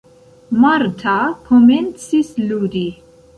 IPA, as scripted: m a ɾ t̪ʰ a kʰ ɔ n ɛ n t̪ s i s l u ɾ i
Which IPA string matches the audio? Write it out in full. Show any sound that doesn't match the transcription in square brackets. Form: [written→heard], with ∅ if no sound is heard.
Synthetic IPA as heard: m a ɾ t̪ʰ a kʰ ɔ [n→m] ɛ n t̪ s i s l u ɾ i